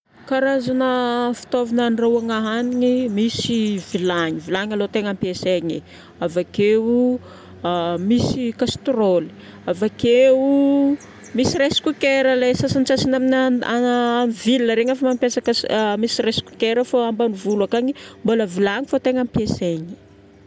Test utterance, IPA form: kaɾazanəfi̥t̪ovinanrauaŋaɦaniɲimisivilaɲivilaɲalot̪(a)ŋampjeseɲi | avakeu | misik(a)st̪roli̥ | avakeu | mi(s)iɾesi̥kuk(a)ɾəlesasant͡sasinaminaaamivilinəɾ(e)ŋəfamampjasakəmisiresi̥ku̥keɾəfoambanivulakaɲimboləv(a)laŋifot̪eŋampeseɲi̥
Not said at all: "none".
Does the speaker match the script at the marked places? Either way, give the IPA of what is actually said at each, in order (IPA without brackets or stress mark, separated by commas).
e, a, s, e, e, i